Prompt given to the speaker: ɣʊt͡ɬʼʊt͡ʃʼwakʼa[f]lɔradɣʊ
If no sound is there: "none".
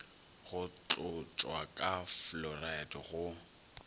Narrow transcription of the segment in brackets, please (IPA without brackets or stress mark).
f